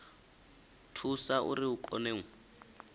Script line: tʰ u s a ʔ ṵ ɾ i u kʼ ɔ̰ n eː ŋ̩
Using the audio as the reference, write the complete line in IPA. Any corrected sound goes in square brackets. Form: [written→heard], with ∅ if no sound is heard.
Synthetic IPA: tʰ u s a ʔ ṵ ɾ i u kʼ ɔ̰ n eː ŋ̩

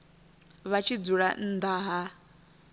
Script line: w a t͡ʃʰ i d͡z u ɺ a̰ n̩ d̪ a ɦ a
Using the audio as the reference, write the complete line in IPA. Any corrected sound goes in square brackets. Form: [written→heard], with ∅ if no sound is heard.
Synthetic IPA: [w→β] a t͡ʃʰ i d͡z u ɺ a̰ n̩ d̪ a ɦ a

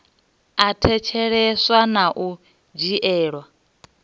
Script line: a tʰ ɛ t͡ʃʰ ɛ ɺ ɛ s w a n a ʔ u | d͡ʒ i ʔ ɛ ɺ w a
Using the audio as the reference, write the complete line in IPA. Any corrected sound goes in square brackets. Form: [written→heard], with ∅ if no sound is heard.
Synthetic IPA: a tʰ ɛ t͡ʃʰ ɛ ɺ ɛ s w a n a ʔ u | d͡ʒ i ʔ [ɛ→ɛː] ɺ w a

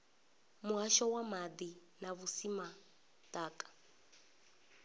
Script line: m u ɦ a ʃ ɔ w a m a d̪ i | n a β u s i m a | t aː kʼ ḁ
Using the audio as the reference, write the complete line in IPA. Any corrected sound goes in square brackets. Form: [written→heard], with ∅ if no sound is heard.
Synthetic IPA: m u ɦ a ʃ ɔ w a m a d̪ i | n a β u s i m a | t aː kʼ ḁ

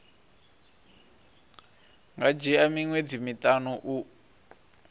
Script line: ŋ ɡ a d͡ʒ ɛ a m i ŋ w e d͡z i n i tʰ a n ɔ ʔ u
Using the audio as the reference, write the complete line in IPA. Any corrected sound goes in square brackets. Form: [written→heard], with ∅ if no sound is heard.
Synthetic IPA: ŋ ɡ a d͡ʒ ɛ a m i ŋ w e d͡z i [n→m] i [tʰ→t] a n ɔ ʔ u

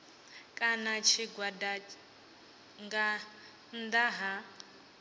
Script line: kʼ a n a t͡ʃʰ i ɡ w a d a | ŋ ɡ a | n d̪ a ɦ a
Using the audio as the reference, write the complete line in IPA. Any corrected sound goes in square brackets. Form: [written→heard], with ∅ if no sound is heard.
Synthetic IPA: kʼ a n a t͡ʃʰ i ɡ w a d a | ŋ ɡ a | n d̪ a ɦ a

